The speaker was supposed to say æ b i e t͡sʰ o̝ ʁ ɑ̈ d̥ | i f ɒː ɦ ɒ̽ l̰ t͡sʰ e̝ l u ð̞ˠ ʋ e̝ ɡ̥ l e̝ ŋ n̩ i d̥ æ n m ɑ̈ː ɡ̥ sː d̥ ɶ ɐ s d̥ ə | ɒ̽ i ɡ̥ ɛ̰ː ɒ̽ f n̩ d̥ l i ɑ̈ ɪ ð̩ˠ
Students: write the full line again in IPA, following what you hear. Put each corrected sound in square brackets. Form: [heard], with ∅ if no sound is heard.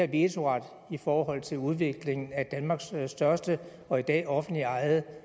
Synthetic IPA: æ b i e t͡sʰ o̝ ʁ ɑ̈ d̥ | i f ɒː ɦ ɒ̽ l̰ t͡sʰ e̝ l u ð̞ˠ ʋ e̝ ɡ̥ l e̝ ŋ n̩ [æ] d̥ æ n m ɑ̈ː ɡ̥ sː d̥ ɶ ɐ s d̥ ə | ɒ̽ i [d̥] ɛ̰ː ɒ̽ f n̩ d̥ l i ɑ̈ ɪ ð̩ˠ